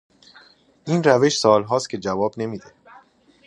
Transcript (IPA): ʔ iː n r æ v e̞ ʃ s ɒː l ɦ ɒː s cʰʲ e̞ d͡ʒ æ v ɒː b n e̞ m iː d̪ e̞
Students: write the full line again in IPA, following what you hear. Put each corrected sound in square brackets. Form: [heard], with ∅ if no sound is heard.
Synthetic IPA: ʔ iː n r æ v e̞ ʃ s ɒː l ɦ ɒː s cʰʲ e̞ d͡ʒ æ v ɒː b n e̞ m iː d̪ e̞